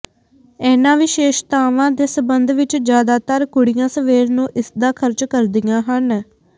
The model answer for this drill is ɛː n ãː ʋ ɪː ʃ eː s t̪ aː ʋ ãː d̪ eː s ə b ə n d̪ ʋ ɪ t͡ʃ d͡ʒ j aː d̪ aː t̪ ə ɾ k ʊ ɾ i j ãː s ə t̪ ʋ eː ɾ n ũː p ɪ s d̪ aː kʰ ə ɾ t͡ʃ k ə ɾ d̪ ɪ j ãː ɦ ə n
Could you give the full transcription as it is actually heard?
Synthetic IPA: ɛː n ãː ʋ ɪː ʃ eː ʃ t̪ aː ʋ ãː d̪ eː s ə b ə n d̪ ʋ ɪ t͡ʃ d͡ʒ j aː d̪ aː t̪ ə ɾ k ʊ ɽ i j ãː s ə ʋ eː ɾ n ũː ʔ ɪ s d̪ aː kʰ ə ɾ t͡ʃ k ə ɾ d̪ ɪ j ãː ɦ ə n